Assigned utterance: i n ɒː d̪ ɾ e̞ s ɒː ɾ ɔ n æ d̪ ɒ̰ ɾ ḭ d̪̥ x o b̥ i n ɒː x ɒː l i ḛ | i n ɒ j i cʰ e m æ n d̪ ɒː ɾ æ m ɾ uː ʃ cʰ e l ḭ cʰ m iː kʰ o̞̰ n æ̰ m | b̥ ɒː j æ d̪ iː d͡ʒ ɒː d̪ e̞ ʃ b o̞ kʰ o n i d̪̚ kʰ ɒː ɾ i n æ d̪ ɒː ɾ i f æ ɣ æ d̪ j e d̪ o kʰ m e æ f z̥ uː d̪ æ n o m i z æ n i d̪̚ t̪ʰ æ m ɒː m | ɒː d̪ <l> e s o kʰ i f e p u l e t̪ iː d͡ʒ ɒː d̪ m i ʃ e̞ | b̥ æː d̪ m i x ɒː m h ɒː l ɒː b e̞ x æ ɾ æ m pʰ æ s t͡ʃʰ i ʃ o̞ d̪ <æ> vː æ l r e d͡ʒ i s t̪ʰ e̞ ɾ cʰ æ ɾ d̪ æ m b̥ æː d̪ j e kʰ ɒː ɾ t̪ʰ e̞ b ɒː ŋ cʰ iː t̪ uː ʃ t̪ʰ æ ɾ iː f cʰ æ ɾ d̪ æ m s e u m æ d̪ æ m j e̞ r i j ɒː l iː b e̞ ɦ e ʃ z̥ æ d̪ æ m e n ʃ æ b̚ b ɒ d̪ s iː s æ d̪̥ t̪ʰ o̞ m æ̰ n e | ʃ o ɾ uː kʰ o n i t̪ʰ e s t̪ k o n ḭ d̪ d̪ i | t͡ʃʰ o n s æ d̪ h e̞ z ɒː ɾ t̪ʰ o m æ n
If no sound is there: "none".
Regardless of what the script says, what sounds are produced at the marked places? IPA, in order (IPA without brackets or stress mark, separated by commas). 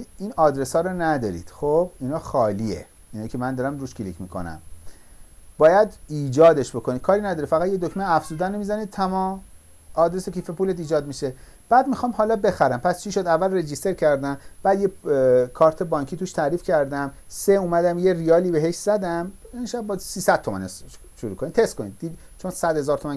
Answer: ɾ, æ